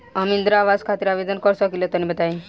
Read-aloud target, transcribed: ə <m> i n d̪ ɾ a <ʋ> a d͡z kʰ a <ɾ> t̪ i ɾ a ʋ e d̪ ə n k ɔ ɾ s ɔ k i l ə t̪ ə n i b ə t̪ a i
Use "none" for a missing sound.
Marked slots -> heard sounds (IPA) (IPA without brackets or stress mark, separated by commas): m, ʋ, none